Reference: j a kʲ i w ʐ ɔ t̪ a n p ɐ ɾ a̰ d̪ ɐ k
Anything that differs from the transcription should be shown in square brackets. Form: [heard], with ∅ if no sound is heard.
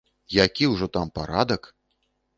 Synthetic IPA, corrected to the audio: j a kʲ i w ʐ ɔ t̪ a [m] p [a] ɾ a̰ d̪ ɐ k